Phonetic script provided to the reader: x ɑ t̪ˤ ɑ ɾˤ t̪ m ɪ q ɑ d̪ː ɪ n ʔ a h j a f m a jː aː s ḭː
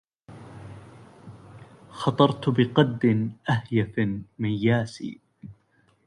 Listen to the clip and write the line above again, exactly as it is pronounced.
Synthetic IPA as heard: x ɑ t̪ˤ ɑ ɾˤ t̪ b ɪ q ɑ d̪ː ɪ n ʔ a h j a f m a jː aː s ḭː